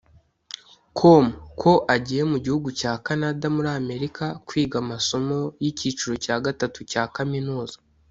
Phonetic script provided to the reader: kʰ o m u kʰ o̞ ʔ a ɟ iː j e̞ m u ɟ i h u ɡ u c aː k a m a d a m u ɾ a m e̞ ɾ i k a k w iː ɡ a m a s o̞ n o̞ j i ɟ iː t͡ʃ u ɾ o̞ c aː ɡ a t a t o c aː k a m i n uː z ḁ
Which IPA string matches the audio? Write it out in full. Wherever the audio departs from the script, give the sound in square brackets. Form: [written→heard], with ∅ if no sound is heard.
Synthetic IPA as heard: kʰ o m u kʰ o̞ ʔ a ɟ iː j e̞ m u ɟ i h u ɡ u c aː k a [m→n] a d a m u ɾ a m e̞ ɾ i k a k w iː ɡ a m a s o̞ [n→m] o̞ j i [ɟ→c] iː t͡ʃ u ɾ o̞ c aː ɡ a t a t [o→u] c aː k a m i n uː z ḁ